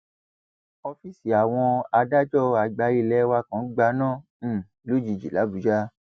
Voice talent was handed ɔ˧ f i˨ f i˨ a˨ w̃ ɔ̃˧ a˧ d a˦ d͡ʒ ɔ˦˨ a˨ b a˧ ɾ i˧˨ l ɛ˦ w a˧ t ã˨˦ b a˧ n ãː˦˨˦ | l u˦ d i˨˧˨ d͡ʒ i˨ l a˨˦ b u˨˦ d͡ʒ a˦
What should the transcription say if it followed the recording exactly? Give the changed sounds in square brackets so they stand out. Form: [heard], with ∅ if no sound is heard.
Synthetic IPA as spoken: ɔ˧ f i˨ [s] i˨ a˨ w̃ ɔ̃˧ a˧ d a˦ d͡ʒ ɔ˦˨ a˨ [ɡ͡b] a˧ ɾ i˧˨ l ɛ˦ w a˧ [k] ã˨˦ [ɡ͡b] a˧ n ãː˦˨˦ | l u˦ [d͡ʒ] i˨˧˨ d͡ʒ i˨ l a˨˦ b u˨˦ d͡ʒ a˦